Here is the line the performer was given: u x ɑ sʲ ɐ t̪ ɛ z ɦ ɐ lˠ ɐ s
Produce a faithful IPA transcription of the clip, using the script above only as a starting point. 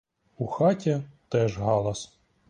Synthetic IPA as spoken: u x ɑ tʲ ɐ t̪ ɛ ʒ ɦ ɑ lˠ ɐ s